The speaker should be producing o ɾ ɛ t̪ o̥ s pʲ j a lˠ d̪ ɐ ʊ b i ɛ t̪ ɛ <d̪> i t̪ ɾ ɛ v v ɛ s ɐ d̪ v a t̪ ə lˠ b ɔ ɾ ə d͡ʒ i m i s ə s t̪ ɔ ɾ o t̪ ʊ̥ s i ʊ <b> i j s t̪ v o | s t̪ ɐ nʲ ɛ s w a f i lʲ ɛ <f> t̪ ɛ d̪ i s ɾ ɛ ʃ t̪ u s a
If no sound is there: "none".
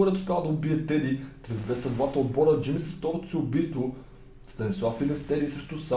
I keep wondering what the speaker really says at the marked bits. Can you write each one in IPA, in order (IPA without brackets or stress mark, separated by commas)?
d̪, b, f